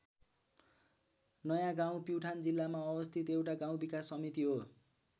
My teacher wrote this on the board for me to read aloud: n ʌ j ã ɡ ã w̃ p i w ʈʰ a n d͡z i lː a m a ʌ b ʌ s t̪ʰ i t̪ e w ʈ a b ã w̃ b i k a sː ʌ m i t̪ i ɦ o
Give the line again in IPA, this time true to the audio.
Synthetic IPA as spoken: n ʌ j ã ɡ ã w̃ p i w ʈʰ a n d͡z i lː a m a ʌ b ʌ s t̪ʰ i t̪ e w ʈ a ɡ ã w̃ b i k a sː ʌ m i t̪ i ɦ o